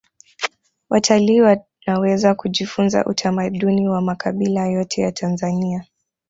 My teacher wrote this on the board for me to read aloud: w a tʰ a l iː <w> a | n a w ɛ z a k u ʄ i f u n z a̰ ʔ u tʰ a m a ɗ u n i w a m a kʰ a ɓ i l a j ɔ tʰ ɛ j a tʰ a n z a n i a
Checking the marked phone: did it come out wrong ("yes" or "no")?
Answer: no